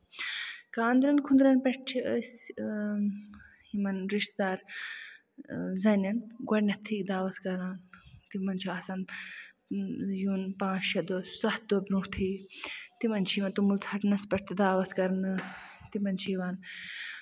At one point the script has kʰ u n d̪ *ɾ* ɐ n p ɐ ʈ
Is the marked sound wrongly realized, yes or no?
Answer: no